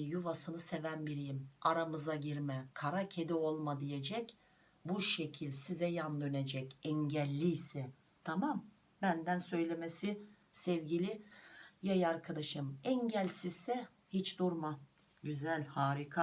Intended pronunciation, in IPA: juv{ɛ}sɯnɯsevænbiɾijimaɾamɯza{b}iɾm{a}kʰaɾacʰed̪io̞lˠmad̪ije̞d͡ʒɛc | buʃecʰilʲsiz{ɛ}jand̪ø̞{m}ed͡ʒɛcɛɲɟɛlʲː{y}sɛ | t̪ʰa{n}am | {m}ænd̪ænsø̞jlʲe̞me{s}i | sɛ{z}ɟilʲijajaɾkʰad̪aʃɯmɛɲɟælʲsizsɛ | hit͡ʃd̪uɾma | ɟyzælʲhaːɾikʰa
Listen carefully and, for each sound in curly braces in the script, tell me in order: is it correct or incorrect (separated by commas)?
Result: incorrect, incorrect, incorrect, correct, incorrect, incorrect, incorrect, incorrect, correct, incorrect